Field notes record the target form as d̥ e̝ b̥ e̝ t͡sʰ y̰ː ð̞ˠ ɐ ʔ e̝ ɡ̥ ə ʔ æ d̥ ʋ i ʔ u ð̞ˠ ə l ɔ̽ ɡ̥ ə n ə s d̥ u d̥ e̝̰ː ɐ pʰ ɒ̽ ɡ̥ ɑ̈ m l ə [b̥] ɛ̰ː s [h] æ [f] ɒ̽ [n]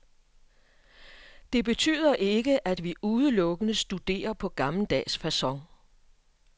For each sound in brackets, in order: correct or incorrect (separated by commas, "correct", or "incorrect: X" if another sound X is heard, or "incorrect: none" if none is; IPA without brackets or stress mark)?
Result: incorrect: d̥, incorrect: f, incorrect: s, incorrect: ŋ